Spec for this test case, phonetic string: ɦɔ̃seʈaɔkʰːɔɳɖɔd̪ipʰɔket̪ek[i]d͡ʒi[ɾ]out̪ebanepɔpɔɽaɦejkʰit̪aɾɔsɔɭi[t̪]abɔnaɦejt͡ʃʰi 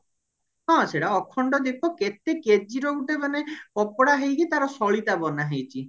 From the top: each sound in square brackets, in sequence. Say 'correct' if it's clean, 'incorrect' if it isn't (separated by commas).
incorrect, correct, correct